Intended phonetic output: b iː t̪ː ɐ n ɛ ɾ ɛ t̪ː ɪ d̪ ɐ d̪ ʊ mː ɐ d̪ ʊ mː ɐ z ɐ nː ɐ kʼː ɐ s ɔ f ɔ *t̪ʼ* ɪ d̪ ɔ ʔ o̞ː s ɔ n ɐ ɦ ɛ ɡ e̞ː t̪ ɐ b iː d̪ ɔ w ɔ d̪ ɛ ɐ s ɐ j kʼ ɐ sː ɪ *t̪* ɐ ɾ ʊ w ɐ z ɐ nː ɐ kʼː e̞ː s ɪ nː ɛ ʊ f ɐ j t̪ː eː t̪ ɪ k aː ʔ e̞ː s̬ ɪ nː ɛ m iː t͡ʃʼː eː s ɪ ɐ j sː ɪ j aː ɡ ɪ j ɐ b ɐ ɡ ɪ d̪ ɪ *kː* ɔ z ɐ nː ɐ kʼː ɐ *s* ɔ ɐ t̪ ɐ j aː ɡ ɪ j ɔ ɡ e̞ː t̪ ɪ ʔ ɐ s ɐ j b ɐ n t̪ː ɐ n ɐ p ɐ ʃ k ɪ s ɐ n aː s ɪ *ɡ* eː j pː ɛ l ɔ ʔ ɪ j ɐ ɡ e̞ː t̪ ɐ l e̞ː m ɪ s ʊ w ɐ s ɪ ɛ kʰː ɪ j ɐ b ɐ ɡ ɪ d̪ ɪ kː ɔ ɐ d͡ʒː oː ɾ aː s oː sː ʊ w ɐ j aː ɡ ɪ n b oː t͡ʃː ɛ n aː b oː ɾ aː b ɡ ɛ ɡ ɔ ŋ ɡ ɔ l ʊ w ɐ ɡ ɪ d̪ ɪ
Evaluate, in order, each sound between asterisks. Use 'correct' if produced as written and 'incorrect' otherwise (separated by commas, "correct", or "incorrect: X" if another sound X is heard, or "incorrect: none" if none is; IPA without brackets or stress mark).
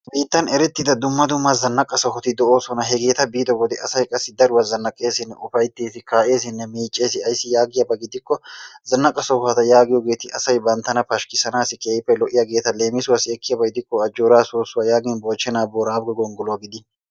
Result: incorrect: t̪, incorrect: d̪, correct, correct, incorrect: k